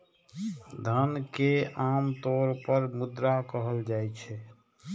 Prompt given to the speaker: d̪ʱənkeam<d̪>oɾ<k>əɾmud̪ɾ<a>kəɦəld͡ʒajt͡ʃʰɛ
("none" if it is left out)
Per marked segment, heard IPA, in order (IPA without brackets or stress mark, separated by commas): t̪, p, a